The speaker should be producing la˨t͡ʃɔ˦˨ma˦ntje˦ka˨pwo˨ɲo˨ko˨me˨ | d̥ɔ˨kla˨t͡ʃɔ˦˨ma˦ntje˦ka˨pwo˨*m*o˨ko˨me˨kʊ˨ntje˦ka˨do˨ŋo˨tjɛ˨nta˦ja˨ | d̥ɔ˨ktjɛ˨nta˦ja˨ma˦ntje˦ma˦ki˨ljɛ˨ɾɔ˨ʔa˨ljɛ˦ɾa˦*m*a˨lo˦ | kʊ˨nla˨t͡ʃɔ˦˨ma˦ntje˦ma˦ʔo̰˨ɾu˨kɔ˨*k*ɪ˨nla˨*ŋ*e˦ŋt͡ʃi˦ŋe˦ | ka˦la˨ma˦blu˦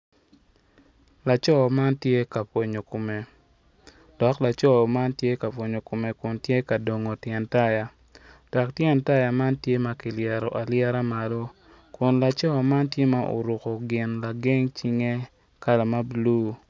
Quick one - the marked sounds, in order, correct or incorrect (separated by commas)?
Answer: incorrect, correct, incorrect, incorrect